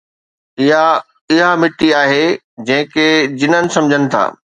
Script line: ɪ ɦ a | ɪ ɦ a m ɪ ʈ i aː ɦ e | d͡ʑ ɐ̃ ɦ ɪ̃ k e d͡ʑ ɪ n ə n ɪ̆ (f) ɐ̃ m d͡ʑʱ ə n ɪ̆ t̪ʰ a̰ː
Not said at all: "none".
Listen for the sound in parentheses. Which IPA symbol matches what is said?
s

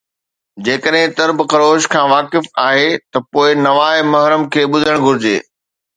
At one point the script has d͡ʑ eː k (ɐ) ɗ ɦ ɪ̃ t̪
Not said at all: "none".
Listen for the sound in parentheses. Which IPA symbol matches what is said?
ə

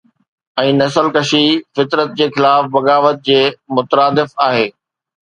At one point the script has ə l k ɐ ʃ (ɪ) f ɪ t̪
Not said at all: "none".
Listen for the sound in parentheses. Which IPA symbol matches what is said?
i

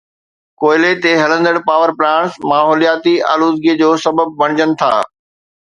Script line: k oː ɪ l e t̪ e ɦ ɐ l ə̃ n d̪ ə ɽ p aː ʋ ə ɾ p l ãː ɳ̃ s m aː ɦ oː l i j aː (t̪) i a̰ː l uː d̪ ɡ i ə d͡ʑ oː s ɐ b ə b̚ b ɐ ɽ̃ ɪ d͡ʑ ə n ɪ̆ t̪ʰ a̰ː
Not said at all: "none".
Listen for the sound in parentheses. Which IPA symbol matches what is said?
t̪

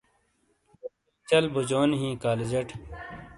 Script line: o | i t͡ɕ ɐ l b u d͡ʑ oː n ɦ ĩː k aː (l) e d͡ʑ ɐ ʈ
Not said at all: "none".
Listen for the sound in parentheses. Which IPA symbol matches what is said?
l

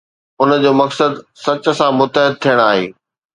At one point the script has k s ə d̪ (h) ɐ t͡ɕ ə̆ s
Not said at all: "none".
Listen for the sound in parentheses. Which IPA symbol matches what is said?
s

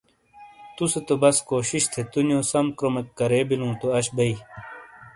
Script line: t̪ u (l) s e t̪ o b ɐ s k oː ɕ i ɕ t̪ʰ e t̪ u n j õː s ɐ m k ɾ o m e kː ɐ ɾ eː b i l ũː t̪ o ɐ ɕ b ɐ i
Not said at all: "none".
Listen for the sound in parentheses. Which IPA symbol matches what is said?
none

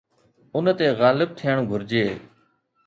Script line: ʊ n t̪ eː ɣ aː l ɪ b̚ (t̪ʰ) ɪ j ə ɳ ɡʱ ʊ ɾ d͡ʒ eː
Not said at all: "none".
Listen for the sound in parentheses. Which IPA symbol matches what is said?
t̪ʰ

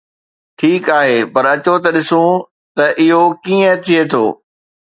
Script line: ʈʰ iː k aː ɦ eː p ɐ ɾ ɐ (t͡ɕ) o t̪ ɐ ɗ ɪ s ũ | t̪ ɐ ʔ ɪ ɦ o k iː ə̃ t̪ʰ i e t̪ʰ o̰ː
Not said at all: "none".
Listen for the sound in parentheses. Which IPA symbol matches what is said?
t͡ɕ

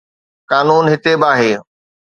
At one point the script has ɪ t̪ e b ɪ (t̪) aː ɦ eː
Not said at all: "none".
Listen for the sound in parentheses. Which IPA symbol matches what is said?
none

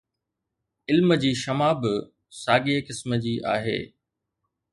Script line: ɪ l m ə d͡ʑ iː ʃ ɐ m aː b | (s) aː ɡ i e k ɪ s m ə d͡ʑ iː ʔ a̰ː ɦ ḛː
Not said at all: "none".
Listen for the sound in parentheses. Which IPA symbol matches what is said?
s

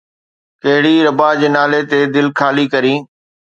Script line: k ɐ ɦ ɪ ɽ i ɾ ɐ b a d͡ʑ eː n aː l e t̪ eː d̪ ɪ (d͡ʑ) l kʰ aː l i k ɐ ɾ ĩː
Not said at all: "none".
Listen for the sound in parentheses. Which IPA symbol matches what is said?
none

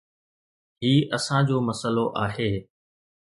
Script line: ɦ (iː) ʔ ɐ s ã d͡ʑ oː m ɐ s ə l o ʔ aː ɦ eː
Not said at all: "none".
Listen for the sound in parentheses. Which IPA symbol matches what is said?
iː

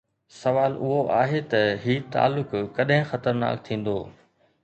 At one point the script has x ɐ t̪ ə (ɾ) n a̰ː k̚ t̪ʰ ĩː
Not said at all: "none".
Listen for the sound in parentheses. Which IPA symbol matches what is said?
ɾ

